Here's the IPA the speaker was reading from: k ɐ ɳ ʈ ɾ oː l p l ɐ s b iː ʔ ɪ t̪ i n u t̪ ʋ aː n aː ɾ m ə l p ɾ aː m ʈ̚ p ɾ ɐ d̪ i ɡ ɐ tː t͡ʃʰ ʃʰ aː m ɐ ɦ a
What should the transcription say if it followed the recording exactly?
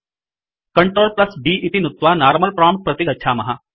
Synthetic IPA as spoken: k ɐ ɳ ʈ ɾ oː l p l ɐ s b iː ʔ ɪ t̪ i n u t̪ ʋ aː n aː ɾ m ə l p ɾ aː m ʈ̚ p ɾ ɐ t̪ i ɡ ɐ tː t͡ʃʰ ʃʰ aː m ɐ ɦ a

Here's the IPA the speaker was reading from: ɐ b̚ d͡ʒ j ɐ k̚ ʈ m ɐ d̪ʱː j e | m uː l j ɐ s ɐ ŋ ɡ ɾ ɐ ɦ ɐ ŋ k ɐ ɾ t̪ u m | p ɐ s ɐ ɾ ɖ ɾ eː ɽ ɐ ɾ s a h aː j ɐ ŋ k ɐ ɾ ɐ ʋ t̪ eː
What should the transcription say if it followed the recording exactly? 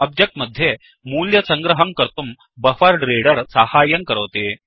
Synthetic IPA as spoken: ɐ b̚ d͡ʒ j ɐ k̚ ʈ m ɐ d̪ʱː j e | m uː l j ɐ s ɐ ŋ ɡ ɾ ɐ ɦ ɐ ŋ k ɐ ɾ t̪ u m | b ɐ f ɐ ɾ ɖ ɾ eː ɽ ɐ ɾ s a h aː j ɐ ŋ k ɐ ɾ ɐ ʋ t̪ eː

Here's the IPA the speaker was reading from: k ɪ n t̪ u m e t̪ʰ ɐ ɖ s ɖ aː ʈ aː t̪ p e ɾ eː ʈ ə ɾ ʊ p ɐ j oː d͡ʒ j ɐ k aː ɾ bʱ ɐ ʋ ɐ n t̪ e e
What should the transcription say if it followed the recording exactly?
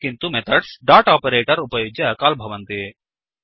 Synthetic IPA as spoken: k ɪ n t̪ u m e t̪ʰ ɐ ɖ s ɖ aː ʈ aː p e ɾ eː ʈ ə ɾ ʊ p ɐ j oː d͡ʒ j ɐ k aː l bʱ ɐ ʋ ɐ n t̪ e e

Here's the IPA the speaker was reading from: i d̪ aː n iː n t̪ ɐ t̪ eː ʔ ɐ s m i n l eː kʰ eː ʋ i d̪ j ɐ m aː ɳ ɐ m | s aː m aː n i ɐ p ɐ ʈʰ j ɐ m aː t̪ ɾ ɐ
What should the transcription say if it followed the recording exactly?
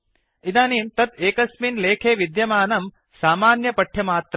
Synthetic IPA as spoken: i d̪ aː n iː m t̪ ɐ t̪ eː k ɐ s m i n l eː kʰ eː ʋ i d̪ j ɐ m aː n ɐ m | s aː m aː n j ɐ p ɐ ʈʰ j ɐ m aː t̪ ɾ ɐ

